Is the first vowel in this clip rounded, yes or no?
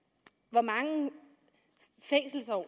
yes